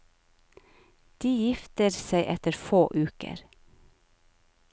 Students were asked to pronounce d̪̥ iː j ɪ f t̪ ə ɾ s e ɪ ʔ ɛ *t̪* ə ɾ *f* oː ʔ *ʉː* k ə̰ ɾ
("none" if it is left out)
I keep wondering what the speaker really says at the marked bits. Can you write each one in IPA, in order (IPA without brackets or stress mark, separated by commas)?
t̪, f, ʉː